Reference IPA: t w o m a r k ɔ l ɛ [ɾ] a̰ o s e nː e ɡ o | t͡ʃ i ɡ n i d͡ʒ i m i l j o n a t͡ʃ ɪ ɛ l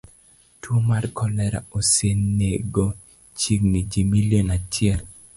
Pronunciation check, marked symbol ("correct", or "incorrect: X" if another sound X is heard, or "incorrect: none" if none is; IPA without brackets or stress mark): correct